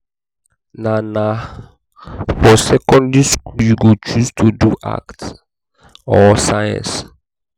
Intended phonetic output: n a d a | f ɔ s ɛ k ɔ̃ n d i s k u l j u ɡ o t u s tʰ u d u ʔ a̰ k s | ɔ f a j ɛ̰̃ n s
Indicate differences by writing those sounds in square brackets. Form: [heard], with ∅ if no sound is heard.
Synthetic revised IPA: n a [n] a | f ɔ s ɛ k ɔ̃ n d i s k u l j u ɡ o [t͡ʃ] u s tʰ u d u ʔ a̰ k [t] | ɔ [s] a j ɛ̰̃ n s